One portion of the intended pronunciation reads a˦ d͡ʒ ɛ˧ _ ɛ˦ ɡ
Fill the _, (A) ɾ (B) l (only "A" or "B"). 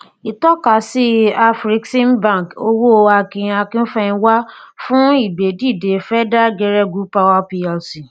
A